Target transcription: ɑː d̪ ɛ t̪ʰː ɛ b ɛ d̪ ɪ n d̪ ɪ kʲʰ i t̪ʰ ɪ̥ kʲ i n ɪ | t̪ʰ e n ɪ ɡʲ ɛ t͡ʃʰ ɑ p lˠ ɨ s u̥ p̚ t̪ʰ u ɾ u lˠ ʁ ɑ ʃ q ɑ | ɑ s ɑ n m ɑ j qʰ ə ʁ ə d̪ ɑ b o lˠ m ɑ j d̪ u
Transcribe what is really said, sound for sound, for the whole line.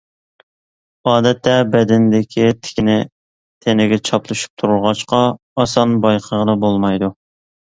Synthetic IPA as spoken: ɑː d̪ ɛ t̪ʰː ɛ b ɛ d̪ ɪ n d̪ ɪ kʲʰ i t̪ʰ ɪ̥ kʲ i n ɪ | t̪ʰ e n ɪ ɡʲ ɛ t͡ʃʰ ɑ p lˠ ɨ ʃ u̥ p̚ t̪ʰ u ɾ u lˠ ʁ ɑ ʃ q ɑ | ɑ s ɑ n b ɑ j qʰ ə ʁ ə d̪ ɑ b o lˠ m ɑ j d̪ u

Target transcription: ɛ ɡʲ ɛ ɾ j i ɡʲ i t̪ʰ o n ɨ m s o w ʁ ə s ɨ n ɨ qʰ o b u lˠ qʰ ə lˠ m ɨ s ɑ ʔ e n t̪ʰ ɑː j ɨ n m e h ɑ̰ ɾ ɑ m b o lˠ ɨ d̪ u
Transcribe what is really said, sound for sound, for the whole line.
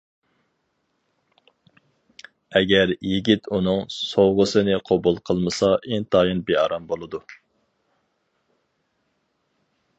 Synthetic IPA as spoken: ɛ ɡʲ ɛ ɾ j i ɡʲ i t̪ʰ u n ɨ ŋ s o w ʁ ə s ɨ n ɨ qʰ o b u lˠ qʰ ə lˠ m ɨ s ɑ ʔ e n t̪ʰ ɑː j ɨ n b e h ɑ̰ ɾ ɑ m b o lˠ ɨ d̪ u

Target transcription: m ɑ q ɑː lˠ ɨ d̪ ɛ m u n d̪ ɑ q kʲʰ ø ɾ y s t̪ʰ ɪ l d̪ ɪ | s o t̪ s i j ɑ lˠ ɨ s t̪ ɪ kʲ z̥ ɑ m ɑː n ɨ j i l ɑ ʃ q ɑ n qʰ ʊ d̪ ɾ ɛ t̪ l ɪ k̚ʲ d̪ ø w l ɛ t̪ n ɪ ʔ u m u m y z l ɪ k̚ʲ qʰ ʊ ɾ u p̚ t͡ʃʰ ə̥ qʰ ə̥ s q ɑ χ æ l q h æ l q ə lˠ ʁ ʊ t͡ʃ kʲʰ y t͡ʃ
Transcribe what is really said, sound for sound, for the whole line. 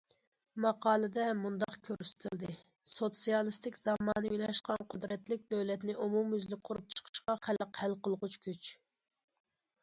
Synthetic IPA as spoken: m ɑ q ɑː lˠ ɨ d̪ ɛ m u n d̪ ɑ q kʲʰ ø ɾ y s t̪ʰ ɪ l d̪ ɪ | s o t̪ s i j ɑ lˠ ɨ s t̪ ɪ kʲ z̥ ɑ m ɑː n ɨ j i l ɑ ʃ q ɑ n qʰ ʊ d̪ ɾ ɛ t̪ l ɪ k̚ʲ d̪ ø w l ɛ t̪ n ɪ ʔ u m u m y z l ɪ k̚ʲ qʰ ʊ ɾ u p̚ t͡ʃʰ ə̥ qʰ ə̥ ʃ q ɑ χ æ l q h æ l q ə lˠ ʁ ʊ t͡ʃ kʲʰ y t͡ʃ

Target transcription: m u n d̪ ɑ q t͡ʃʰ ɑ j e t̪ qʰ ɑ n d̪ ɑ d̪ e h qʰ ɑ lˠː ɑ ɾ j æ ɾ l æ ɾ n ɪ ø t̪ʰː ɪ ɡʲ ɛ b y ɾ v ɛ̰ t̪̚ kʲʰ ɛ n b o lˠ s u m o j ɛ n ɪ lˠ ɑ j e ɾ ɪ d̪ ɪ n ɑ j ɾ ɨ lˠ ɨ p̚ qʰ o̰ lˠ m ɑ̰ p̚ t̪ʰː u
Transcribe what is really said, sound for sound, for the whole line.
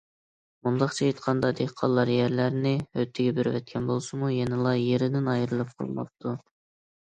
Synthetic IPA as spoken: m u n d̪ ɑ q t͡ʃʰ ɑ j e t̪ qʰ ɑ n d̪ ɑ d̪ e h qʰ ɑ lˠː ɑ ɾ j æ ɾ l æ ɾ n ɪ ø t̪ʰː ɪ ɡʲ ɛ b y ɾ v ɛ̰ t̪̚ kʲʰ ɛ n b o lˠ s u m u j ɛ n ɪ lˠ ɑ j e ɾ ɪ d̪ ɪ n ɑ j ɾ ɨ lˠ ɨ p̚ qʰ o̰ lˠ m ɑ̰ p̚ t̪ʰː u

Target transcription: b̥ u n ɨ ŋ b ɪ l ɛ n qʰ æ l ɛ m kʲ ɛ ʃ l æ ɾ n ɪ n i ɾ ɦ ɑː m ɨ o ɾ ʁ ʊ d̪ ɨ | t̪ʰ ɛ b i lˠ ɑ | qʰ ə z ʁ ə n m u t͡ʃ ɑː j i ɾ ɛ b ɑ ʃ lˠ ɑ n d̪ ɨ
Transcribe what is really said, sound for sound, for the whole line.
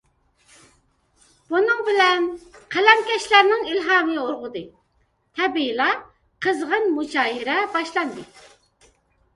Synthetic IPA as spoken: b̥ u n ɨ ŋ b ɪ l ɛ n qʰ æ l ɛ m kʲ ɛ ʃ l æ ɾ n ɪ ŋ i l ɦ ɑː m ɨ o ɾ ʁ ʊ d̪ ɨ | t̪ʰ ɛ b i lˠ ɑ | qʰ ə z ʁ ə n m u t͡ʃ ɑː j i ɾ ɛ b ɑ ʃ lˠ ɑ n d̪ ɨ

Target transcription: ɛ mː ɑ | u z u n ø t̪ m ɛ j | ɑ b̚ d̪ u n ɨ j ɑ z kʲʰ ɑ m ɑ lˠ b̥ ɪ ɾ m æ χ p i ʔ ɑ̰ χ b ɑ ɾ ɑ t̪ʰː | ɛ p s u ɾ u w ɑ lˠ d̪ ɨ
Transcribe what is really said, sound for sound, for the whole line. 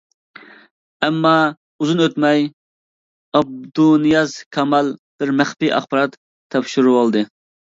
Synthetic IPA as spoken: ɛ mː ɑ | u z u n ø t̪ m ɛ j | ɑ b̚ d̪ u n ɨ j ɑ z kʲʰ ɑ m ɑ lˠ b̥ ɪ ɾ m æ χ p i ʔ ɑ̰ χ b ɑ ɾ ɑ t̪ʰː | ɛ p ʃ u ɾ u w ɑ lˠ d̪ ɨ

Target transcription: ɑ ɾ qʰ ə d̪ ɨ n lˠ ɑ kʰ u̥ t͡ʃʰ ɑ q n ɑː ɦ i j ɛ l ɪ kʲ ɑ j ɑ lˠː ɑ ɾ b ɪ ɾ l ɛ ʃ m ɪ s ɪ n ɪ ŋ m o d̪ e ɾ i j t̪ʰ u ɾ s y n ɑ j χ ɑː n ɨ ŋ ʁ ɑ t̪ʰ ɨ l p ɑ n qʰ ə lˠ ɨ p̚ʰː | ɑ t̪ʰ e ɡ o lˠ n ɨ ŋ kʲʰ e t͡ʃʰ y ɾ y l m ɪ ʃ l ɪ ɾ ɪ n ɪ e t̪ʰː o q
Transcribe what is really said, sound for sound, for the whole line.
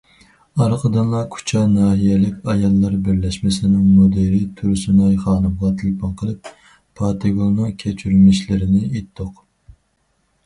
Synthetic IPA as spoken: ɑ ɾ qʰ ə d̪ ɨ n lˠ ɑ kʰ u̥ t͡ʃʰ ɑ n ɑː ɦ i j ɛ l ɪ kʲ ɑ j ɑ lˠː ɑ ɾ b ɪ ɾ l ɛ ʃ m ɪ s ɪ n ɪ ŋ m o d̪ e ɾ i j t̪ʰ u ɾ s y n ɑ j χ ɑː n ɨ m ʁ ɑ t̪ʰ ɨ l p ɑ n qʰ ə lˠ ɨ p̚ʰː | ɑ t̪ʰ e ɡ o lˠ n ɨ ŋ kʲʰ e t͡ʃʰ y ɾ y l m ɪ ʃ l ɪ ɾ ɪ n ɪ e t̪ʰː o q

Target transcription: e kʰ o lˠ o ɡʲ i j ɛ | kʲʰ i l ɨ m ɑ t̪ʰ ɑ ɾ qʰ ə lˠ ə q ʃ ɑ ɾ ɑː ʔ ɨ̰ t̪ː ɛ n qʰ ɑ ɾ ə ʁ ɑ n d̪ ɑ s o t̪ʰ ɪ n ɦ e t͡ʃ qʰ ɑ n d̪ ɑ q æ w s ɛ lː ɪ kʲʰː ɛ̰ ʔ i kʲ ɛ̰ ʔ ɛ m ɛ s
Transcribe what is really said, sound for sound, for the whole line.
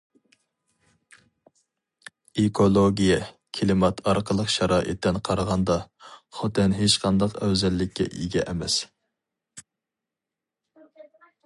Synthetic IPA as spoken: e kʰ o lˠ o ɡʲ i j ɛ | kʲʰ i l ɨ m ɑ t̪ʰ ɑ ɾ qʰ ə lˠ ə q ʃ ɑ ɾ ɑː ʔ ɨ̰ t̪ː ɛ n qʰ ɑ ɾ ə ʁ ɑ n d̪ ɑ χ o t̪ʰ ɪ n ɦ e t͡ʃ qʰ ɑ n d̪ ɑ q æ w z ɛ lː ɪ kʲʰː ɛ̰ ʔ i ɡʲ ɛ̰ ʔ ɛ m ɛ s

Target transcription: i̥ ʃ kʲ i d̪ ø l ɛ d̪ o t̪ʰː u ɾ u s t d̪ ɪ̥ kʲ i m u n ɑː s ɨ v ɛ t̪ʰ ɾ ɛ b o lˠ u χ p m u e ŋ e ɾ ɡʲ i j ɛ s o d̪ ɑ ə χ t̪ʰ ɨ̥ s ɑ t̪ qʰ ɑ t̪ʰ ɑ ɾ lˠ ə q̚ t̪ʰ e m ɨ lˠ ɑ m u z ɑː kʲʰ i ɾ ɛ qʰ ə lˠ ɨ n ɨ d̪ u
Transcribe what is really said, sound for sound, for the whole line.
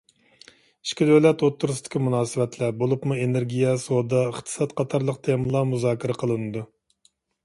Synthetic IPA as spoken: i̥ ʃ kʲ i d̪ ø l ɛ t̪ o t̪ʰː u ɾ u s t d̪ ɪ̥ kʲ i m u n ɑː s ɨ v ɛ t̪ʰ l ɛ b o lˠ u p m u e n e ɾ ɡʲ i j ɛ s o d̪ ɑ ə χ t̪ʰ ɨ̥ s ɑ t̪ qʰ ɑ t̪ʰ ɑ ɾ lˠ ə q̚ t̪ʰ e m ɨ lˠ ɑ m u z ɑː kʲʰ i ɾ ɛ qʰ ə lˠ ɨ n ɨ d̪ u

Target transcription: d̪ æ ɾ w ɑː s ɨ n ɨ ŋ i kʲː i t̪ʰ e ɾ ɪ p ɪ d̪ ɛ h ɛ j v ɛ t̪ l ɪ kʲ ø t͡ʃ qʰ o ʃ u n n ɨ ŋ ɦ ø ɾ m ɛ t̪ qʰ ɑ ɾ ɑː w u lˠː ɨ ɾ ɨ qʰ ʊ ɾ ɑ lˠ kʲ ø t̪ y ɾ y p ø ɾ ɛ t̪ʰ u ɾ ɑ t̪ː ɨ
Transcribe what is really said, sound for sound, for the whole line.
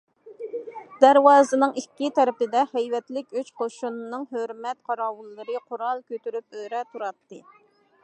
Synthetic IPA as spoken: d̪ æ ɾ w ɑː z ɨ n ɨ ŋ i kʲː i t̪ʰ ɛ ɾ ɪ p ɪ d̪ ɛ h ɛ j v ɛ t̪ l ɪ kʲ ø t͡ʃ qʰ o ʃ u n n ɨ ŋ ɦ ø ɾ m ɛ t̪ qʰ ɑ ɾ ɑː w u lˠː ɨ ɾ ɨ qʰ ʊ ɾ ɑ lˠ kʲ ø t̪ y ɾ y p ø ɾ ɛ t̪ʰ u ɾ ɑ t̪ː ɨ

